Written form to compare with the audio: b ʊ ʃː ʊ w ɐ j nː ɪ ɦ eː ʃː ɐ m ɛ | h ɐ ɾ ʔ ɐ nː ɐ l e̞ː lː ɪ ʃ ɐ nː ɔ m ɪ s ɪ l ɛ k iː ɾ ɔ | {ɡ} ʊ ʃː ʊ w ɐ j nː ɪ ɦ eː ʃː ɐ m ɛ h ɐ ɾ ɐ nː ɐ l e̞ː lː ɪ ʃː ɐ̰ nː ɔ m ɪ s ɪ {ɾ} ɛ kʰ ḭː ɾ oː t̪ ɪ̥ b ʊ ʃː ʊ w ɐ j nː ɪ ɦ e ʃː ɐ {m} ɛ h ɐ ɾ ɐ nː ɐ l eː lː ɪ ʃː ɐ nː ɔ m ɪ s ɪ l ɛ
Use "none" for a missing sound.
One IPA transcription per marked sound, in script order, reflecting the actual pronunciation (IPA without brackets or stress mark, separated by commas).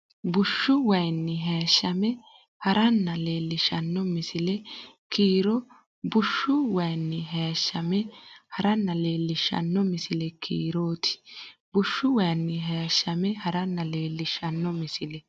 b, l, m